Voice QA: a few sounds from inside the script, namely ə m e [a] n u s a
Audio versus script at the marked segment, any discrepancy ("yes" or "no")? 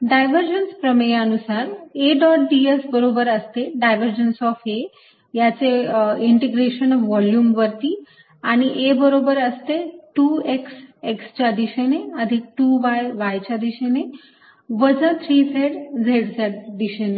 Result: yes